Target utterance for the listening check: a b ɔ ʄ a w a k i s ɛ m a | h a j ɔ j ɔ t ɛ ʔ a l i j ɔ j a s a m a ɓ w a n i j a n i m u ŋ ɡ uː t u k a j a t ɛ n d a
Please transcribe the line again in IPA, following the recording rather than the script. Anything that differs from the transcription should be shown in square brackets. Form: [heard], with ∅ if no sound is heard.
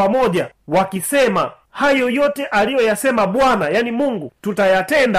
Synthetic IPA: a [m] ɔ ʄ a w a k i s ɛ m a | h a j ɔ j ɔ t ɛ ʔ a l i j ɔ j a s [ɛ] m a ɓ w a n [a] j a n i m u ŋ ɡ [u] t u [t] a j a t ɛ n d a